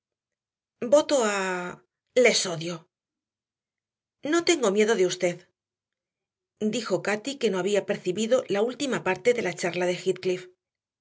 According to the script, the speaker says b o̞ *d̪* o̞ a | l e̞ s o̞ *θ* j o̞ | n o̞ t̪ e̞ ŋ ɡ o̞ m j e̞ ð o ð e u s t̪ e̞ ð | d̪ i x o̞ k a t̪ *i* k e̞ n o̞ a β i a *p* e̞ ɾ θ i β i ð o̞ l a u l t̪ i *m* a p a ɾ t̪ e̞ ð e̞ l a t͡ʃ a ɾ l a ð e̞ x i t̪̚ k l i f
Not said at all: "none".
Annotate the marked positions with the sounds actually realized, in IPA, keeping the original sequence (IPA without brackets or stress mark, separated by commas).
t̪, ð, i, p, m